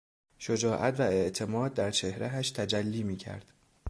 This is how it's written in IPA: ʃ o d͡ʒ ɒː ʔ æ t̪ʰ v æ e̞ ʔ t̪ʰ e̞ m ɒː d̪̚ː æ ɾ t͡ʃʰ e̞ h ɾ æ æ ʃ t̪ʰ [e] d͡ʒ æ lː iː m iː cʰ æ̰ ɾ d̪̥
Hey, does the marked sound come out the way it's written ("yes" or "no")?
no